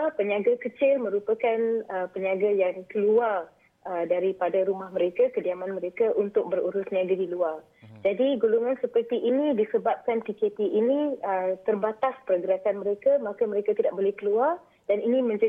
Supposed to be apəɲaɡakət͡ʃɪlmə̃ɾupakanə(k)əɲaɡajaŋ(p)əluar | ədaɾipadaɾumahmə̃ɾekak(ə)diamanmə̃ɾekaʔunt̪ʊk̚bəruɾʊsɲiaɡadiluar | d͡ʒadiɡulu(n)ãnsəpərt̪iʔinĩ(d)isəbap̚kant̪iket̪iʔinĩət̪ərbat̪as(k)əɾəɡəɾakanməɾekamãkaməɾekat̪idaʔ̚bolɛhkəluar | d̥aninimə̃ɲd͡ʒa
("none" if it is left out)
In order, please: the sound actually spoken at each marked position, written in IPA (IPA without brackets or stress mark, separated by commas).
p, k, ə, ŋ, d, p